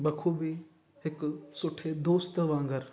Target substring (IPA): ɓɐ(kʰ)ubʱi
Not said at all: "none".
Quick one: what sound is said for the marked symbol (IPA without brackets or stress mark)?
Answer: kʰ